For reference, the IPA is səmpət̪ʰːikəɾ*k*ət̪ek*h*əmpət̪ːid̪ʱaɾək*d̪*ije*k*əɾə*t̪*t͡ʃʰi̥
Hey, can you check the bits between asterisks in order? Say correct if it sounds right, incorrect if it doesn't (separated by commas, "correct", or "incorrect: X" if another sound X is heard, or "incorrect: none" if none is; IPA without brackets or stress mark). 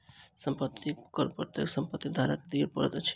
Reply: incorrect: p, incorrect: s, correct, incorrect: p, correct